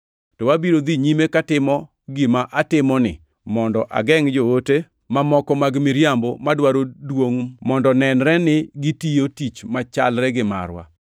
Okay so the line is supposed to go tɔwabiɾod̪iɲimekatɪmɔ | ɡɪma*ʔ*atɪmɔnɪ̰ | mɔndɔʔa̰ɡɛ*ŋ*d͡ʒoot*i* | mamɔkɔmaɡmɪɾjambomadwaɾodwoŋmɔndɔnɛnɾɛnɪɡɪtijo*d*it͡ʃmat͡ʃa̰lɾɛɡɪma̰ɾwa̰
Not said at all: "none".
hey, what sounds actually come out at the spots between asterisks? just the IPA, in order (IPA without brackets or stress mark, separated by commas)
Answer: ʔ, ŋ, e, t